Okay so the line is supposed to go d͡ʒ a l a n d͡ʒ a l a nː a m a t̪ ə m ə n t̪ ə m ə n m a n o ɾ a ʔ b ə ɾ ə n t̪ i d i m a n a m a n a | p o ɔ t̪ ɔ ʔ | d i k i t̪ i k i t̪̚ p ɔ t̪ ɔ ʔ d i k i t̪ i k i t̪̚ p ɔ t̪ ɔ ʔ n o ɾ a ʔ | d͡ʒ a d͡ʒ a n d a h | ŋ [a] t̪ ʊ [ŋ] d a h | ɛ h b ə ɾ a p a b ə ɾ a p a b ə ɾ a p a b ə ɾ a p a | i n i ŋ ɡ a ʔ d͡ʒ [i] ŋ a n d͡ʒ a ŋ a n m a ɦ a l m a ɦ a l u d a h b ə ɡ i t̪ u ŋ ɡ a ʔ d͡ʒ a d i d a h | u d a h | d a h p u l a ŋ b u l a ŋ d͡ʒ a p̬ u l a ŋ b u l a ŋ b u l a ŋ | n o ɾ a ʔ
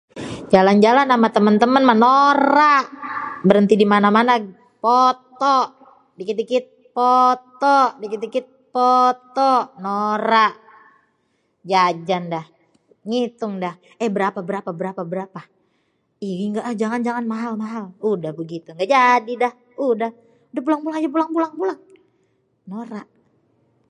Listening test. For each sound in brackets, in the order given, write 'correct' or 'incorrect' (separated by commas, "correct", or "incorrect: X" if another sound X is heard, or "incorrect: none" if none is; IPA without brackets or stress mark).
incorrect: i, correct, incorrect: a